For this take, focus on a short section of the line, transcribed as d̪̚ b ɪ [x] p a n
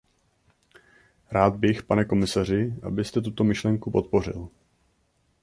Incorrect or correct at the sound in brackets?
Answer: correct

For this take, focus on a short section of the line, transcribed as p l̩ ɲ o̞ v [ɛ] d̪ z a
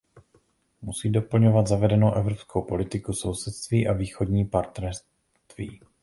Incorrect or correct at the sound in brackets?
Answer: incorrect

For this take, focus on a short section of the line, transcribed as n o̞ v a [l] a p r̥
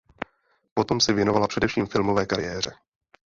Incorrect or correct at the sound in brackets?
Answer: correct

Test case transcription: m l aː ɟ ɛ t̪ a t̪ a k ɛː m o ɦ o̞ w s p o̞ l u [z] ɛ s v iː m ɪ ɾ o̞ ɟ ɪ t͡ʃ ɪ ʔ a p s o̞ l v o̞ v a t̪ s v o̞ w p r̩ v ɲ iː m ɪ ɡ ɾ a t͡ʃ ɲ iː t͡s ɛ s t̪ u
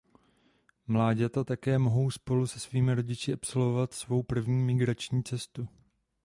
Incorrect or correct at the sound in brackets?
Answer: incorrect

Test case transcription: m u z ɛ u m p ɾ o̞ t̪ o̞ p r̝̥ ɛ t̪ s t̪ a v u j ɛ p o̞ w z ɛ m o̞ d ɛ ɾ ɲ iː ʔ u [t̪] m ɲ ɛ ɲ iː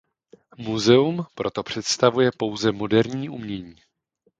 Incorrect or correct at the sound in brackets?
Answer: incorrect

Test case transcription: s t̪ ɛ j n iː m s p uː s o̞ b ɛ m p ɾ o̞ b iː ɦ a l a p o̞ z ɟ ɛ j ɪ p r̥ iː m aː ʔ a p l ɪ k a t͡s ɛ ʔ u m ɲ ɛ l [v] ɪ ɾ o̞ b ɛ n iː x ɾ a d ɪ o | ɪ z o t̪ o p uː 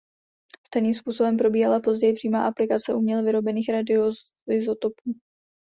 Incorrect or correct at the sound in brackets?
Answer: correct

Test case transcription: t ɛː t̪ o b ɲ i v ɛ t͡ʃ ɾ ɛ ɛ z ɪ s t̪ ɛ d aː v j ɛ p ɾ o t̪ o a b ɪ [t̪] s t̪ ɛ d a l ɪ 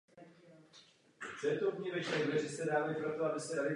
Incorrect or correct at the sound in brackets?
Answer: incorrect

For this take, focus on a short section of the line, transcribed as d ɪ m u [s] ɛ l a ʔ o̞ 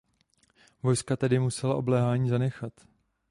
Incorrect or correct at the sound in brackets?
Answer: correct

